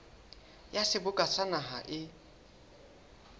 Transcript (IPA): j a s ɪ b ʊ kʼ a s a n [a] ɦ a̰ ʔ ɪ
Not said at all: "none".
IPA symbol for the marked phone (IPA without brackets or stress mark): a